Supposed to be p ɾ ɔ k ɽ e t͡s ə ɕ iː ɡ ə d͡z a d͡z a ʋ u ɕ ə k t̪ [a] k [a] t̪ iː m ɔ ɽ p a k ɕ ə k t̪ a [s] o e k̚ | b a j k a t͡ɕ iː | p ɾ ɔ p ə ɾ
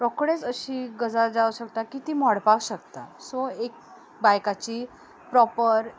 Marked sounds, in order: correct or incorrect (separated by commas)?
correct, incorrect, correct